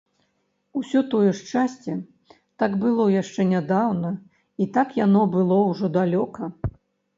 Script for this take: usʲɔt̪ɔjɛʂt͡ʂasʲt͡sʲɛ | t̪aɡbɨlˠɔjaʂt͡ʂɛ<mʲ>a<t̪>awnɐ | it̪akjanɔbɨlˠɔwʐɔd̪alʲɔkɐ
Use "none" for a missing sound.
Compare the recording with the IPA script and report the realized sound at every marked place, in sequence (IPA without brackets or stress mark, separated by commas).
nʲ, d̪